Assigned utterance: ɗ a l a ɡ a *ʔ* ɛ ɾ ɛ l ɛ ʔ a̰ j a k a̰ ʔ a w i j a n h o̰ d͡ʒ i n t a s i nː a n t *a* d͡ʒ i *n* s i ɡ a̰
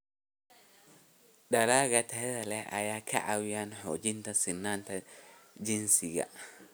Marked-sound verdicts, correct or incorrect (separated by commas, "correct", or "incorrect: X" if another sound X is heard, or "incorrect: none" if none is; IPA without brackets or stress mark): incorrect: t, correct, correct